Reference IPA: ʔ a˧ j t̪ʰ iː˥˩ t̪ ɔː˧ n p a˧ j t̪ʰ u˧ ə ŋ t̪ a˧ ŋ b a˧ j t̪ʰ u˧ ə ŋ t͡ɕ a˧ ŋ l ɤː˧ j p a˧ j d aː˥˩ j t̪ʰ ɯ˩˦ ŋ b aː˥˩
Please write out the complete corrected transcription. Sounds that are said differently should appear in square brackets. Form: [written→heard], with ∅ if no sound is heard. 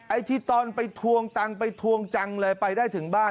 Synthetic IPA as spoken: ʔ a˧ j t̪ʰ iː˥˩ t̪ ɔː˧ n p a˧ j t̪ʰ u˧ ə ŋ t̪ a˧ ŋ [b→p] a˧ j t̪ʰ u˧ ə ŋ t͡ɕ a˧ ŋ l ɤː˧ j p a˧ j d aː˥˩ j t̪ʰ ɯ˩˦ ŋ b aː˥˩